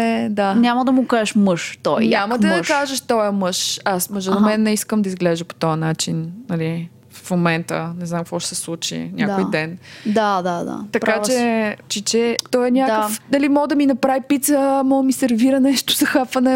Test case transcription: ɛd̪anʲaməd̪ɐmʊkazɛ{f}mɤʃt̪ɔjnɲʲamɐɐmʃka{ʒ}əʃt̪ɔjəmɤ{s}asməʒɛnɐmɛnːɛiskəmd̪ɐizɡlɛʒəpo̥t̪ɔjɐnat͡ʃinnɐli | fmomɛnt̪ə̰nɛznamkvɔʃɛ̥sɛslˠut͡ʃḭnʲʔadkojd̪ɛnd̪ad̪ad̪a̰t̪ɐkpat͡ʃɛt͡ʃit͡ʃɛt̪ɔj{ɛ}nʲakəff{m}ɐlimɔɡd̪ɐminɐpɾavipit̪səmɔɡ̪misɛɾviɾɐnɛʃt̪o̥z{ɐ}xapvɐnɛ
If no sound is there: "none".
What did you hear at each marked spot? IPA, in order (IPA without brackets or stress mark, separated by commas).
ʃ, ʒ, ʃ, ɛ, n, ɐ